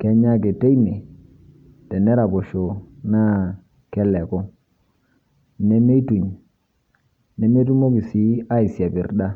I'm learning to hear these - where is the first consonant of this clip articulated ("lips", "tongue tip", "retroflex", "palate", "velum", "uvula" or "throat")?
velum